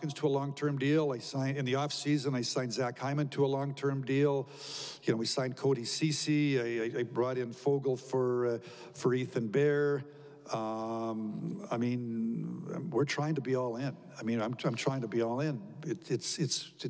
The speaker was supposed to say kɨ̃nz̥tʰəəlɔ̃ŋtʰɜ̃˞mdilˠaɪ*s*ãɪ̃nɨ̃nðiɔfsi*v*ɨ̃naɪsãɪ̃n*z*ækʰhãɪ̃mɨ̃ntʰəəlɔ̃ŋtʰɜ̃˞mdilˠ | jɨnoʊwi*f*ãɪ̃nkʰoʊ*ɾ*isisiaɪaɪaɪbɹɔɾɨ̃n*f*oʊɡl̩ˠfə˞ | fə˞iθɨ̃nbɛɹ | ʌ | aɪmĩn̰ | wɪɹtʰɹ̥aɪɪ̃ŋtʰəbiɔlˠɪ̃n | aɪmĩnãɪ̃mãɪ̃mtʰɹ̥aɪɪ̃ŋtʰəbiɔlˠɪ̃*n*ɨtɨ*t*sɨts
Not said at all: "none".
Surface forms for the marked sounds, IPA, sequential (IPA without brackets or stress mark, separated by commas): s, z, z, s, ɾ, f, n, t